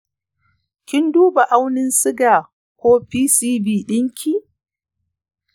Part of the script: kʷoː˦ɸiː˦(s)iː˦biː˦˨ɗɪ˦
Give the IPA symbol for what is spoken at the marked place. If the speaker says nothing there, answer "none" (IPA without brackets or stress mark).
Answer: s